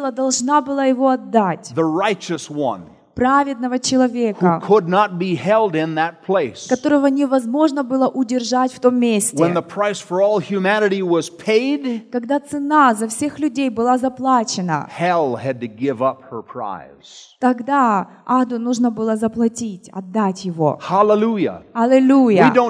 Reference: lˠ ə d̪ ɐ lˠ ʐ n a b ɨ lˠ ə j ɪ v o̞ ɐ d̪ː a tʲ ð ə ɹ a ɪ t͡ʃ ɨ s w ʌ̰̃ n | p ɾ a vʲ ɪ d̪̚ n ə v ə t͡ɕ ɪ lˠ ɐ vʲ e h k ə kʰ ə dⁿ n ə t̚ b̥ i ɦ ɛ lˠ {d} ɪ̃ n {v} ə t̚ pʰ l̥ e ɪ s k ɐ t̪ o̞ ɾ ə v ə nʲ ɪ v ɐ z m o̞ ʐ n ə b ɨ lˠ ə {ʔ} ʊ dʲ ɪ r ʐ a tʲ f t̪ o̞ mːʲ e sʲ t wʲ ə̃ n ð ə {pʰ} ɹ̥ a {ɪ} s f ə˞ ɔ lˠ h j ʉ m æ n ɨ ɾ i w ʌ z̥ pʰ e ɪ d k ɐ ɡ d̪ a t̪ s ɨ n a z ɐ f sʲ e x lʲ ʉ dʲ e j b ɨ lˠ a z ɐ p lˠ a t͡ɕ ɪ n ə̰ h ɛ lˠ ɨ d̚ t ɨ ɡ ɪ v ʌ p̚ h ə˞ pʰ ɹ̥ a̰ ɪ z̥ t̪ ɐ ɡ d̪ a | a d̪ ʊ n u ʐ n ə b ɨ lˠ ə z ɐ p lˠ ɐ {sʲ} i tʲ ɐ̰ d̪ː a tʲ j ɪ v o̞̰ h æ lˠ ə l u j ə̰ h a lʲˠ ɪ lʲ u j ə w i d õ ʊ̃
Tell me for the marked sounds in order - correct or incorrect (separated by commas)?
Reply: correct, incorrect, correct, correct, correct, incorrect